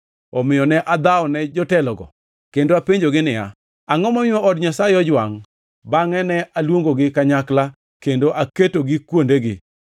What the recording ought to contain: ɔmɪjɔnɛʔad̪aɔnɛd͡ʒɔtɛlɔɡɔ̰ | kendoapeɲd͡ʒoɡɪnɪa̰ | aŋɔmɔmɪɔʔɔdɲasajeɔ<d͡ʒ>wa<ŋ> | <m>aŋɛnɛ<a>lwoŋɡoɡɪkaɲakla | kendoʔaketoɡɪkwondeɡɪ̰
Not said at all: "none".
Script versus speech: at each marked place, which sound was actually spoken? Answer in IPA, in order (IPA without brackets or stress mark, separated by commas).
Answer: d͡ʒ, ŋ, b, a